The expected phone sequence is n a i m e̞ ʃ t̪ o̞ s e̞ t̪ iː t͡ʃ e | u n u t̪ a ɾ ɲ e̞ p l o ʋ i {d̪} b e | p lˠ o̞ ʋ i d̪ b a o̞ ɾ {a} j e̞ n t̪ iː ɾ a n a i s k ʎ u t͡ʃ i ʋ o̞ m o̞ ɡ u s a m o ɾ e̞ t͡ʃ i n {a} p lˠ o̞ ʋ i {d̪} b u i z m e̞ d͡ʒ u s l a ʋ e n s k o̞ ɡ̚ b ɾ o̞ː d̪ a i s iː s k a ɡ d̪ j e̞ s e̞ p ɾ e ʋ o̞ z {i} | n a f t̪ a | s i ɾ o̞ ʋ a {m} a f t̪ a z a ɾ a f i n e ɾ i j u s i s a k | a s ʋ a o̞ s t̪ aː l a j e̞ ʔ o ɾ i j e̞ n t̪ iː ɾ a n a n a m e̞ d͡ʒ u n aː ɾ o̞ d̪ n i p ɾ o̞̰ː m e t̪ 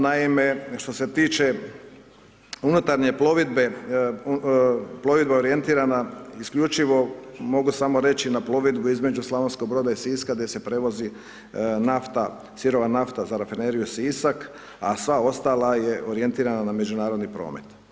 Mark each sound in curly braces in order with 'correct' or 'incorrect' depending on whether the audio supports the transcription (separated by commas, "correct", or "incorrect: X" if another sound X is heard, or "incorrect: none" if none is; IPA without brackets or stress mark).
correct, incorrect: i, correct, correct, correct, incorrect: n